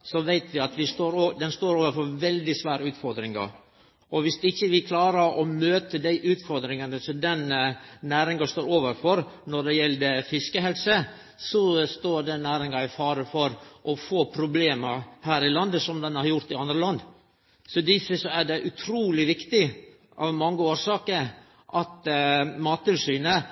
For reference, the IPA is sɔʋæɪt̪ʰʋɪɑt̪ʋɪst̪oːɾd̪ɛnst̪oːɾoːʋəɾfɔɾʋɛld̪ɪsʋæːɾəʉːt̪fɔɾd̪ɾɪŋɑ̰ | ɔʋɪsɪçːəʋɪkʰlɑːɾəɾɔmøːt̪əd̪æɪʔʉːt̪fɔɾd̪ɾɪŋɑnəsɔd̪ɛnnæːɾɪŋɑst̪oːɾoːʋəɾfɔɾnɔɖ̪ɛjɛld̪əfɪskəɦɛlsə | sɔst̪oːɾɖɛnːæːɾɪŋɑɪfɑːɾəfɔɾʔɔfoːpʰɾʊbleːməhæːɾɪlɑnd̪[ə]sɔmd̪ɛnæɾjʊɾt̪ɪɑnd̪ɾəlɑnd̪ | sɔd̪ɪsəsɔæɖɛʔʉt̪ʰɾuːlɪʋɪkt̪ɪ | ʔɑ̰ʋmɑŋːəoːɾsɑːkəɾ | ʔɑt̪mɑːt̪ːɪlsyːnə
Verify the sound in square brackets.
correct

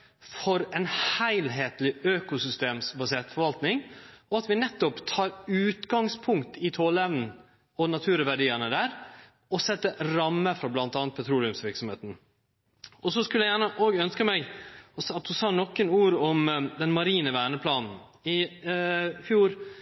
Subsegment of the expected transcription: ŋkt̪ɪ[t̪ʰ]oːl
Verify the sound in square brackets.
correct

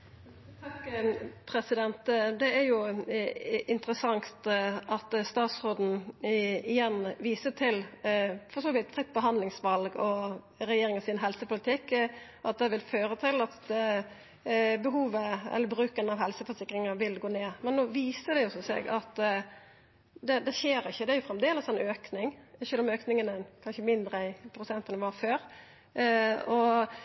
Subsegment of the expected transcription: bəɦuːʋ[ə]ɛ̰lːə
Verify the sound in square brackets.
correct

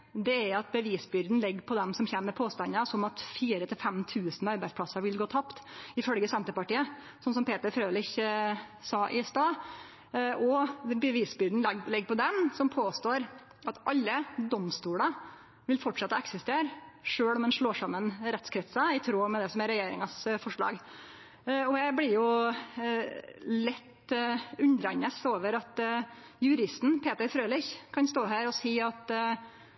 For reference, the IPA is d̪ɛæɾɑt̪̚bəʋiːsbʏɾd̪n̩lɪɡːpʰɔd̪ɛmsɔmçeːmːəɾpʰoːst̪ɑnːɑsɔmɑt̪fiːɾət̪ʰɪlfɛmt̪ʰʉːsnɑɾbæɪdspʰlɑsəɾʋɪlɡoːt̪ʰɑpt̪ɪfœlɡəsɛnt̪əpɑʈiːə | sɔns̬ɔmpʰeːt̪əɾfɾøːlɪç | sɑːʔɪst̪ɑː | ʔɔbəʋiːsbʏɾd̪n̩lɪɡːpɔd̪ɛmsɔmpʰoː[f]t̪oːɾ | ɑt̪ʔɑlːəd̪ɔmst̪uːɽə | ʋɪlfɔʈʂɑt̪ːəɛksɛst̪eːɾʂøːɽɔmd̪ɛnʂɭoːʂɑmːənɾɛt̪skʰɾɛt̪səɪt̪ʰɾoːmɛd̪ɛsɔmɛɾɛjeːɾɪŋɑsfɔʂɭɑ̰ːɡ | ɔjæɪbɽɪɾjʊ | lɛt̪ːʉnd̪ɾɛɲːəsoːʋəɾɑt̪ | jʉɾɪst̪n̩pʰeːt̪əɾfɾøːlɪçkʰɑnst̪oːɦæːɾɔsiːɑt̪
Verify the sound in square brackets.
incorrect: s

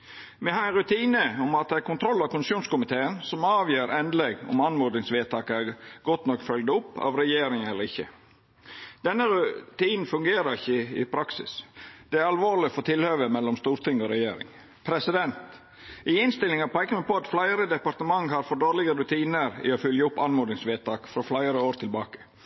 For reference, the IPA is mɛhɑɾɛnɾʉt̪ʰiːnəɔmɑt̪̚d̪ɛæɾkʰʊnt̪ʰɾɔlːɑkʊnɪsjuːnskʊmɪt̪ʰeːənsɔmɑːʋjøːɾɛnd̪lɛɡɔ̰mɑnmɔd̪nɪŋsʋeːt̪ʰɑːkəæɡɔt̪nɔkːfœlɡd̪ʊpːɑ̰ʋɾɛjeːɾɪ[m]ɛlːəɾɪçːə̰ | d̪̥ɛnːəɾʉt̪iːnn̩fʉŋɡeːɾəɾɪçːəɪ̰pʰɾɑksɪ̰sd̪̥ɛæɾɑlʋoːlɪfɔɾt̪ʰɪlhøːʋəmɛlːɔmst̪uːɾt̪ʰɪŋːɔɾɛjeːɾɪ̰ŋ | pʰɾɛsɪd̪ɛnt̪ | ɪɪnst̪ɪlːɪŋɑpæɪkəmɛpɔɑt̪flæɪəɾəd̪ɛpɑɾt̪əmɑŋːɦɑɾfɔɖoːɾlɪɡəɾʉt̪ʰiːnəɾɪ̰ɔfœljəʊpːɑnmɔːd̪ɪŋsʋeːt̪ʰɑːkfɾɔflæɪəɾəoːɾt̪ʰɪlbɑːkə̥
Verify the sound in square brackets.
incorrect: ŋ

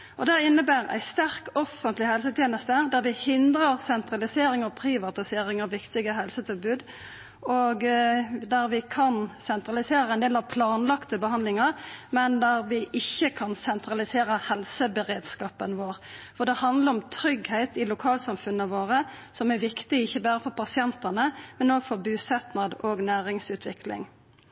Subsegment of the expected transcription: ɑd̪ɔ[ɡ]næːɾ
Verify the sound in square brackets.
correct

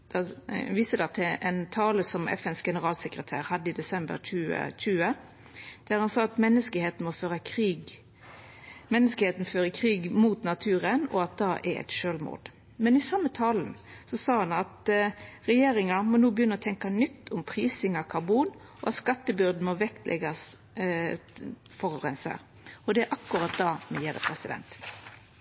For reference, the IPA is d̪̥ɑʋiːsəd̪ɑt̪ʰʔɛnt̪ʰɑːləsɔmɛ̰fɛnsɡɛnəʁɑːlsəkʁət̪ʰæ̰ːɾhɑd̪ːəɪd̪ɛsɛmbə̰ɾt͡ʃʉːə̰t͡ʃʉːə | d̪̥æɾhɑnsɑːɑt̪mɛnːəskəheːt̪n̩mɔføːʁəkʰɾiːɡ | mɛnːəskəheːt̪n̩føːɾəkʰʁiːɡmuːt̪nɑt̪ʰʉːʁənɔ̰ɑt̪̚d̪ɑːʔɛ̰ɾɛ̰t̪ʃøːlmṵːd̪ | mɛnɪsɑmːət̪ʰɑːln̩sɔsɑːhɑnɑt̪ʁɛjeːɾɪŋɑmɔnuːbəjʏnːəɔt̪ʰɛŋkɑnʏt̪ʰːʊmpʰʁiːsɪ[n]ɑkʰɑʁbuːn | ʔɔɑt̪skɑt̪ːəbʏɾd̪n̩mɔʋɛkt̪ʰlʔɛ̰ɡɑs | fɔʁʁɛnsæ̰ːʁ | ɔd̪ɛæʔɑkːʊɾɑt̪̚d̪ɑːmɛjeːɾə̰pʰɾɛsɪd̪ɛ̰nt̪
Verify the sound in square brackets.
incorrect: ŋ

